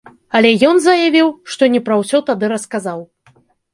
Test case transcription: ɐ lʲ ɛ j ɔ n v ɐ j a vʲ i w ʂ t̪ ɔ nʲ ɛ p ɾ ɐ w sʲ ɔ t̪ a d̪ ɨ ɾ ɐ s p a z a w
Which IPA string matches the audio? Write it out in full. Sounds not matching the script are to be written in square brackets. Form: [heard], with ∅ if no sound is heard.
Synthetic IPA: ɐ lʲ ɛ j ɔ n [z] ɐ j a vʲ i w ʂ t̪ ɔ nʲ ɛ p ɾ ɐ w sʲ ɔ t̪ a d̪ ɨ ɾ ɐ s [k] a z a w